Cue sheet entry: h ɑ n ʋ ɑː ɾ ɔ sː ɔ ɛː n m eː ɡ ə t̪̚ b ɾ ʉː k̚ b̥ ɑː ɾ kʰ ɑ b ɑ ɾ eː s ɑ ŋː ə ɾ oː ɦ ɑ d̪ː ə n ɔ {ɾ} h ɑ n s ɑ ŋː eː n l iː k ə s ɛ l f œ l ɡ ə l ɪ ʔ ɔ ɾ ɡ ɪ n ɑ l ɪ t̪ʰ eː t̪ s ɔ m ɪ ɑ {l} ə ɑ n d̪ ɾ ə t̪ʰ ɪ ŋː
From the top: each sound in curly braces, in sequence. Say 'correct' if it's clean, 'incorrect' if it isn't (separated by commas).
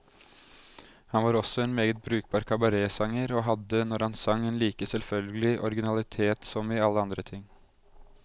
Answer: correct, incorrect